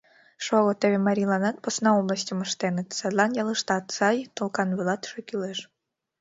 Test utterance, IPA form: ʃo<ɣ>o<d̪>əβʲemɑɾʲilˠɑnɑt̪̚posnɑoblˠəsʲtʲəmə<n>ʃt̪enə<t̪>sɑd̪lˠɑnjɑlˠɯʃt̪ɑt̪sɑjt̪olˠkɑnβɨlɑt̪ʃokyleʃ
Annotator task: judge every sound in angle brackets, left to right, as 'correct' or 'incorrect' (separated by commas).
correct, incorrect, incorrect, correct